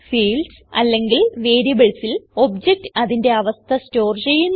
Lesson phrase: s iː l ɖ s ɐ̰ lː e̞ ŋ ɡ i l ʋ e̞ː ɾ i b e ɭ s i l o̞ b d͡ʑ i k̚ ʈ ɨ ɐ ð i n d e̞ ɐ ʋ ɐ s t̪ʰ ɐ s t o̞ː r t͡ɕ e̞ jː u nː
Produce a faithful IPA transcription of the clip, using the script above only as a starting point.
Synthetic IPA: f iː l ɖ s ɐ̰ lː e̞ ŋ ɡ i l ʋ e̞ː ɾ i b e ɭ s i l o̞ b d͡ʑ e k̚ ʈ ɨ ɐ ð i n d e̞ ɐ ʋ ɐ s t̪ʰ ɐ s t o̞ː r t͡ɕ e̞ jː u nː